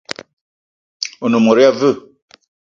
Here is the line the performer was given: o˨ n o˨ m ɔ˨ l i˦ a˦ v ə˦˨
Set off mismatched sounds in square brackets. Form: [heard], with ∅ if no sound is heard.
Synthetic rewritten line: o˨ n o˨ m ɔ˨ [ɾ] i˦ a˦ v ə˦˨